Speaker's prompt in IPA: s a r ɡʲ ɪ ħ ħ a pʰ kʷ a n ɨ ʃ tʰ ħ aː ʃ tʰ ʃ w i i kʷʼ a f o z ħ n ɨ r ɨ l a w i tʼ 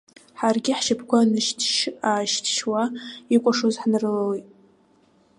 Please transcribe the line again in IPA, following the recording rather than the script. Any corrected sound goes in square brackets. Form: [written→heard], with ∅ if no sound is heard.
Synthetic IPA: [s→ħ] a r ɡʲ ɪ ħ [ħ→ʃ] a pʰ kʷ a n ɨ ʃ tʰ [ħ→ʃ] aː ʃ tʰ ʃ w [i→a] i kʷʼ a [f→ʂ] o z ħ n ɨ r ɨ l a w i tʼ